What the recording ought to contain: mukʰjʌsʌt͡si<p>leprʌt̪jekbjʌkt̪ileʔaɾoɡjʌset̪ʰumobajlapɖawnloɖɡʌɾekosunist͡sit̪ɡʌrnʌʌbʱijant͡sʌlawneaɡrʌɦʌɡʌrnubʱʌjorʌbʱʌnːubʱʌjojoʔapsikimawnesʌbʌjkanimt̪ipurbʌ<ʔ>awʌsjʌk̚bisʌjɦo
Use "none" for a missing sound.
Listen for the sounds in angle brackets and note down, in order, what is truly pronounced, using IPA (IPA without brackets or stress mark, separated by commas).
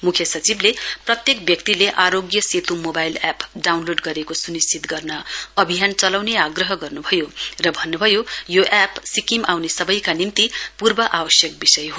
b, ʔ